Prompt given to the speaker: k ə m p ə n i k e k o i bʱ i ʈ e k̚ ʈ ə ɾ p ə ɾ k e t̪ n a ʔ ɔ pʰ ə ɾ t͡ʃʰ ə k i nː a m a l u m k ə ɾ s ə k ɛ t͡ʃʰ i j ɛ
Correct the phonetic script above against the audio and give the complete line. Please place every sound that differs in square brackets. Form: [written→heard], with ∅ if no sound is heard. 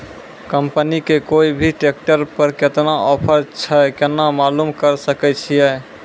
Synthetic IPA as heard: k ə m p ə n i k e k o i bʱ i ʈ e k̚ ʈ ə ɾ p ə ɾ k e t̪ n a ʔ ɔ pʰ ə ɾ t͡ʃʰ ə k [i→e] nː a m a l u m k ə ɾ s ə k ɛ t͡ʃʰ i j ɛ